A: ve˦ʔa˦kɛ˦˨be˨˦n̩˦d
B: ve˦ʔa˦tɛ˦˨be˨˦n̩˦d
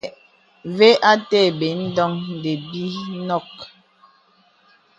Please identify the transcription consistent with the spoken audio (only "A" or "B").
B